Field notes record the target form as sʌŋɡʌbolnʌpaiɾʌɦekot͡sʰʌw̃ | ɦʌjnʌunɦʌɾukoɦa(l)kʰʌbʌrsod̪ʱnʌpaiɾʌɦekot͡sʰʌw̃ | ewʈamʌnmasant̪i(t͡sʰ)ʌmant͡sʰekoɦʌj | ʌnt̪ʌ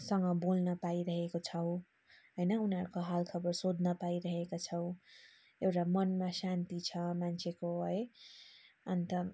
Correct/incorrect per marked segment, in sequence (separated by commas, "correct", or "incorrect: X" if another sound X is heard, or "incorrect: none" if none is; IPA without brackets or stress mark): correct, correct